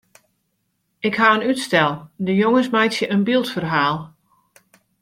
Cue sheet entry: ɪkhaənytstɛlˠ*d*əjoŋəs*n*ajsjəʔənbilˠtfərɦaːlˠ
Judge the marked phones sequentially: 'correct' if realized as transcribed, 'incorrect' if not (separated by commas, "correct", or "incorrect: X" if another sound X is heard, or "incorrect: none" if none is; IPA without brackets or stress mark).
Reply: correct, incorrect: m